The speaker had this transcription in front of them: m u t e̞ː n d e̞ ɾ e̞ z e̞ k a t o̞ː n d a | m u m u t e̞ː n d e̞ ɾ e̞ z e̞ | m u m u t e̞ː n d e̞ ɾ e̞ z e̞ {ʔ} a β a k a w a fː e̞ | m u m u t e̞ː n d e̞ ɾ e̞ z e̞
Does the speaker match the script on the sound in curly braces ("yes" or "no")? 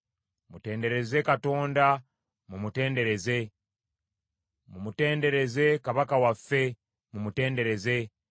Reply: no